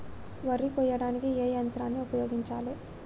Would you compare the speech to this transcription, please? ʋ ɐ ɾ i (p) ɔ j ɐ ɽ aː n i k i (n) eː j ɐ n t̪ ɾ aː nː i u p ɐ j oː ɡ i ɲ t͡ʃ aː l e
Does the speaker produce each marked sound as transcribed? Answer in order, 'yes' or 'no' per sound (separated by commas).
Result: no, no